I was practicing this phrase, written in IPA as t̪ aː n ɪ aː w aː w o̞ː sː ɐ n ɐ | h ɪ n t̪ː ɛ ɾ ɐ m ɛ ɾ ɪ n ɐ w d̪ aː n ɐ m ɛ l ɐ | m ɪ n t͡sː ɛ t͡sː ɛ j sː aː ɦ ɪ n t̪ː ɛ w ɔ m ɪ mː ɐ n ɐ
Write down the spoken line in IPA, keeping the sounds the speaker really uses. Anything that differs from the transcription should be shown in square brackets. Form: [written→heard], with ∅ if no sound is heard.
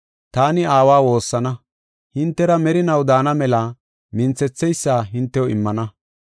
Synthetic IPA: t̪ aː n ɪ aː w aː w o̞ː sː ɐ n ɐ | h ɪ n t̪ː ɛ ɾ ɐ m ɛ ɾ ɪ n ɐ w d̪ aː n ɐ m ɛ l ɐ | m ɪ n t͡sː ɛ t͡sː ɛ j sː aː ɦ ɪ n t̪ː ɛ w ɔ [m→∅] ɪ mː ɐ n ɐ